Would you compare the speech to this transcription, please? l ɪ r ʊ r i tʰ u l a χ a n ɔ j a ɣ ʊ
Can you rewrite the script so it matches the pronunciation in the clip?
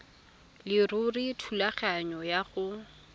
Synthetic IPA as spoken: l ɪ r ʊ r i tʰ u l a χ a ɲ ɔ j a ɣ ʊ